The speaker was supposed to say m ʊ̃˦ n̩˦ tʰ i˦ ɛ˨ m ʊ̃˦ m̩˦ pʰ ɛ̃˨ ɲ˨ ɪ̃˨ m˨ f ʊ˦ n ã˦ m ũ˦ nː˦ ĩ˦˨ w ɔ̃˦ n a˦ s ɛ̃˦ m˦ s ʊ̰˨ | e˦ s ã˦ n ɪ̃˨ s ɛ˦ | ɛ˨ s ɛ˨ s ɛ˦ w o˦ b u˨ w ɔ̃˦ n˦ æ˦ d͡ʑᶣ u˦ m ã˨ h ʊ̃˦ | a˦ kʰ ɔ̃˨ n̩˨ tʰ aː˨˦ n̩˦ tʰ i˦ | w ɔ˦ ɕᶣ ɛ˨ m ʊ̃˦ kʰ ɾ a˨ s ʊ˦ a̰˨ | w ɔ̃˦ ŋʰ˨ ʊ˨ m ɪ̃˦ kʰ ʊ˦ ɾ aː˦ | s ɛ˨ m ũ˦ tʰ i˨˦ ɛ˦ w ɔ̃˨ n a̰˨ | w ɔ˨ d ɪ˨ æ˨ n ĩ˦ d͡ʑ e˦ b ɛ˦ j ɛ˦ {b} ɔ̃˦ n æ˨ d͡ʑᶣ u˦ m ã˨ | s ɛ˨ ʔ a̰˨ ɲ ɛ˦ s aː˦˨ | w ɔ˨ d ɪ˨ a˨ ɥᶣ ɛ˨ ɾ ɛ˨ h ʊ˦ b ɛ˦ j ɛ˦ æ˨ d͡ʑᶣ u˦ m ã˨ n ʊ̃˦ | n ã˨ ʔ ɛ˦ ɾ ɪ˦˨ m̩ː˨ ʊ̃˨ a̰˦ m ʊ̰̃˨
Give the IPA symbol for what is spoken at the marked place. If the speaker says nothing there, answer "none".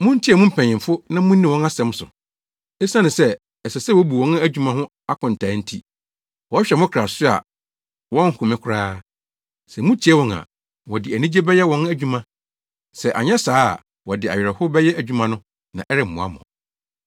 w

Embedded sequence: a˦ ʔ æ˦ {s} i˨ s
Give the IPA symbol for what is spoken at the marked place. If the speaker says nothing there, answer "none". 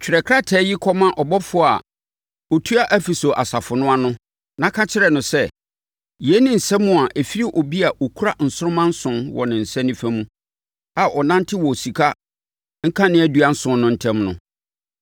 f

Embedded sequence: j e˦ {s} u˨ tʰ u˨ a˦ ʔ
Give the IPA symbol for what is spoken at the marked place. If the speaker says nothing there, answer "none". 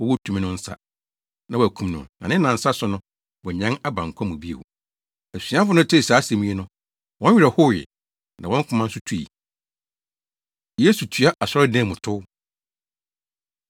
s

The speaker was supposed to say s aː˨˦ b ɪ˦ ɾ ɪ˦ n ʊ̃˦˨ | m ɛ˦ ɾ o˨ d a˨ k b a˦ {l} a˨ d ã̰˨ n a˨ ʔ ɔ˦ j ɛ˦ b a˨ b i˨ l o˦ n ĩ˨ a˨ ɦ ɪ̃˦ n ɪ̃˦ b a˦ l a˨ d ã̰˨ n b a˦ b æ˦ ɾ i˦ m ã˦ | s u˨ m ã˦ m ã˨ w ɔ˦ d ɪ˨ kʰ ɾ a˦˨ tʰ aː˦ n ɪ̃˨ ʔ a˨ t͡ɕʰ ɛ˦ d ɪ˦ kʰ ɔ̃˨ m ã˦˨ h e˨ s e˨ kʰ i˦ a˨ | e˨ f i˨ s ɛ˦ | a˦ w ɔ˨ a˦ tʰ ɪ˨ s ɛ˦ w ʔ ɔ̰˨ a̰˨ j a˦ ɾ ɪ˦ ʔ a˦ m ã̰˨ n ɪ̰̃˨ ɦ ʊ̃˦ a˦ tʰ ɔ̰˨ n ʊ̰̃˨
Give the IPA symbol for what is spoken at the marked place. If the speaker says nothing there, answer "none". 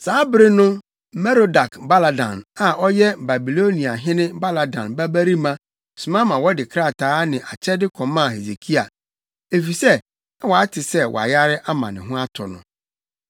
l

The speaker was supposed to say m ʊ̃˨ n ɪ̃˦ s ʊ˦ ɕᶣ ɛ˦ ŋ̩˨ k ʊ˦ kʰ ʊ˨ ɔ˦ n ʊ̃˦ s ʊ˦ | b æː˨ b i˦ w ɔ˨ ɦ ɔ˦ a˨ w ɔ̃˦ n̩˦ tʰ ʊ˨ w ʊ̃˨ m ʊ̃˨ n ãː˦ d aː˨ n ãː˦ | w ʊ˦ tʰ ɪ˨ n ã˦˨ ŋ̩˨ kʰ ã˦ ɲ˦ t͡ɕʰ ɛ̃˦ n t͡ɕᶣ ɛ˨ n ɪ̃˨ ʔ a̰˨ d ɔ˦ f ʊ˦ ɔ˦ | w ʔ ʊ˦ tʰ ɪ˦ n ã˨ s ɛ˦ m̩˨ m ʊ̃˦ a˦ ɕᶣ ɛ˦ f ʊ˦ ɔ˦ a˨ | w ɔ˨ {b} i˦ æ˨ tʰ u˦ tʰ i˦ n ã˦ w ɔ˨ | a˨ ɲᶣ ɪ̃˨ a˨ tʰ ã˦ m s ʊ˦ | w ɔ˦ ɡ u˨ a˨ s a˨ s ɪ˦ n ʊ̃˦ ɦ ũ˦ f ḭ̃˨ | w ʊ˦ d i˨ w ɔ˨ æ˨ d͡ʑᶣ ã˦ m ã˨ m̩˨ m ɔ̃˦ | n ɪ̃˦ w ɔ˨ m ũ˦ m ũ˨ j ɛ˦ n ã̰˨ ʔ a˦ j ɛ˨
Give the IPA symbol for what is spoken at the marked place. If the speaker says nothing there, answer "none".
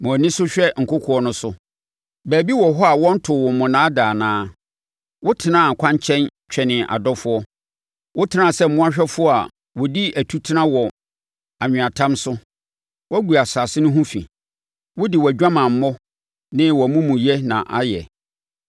d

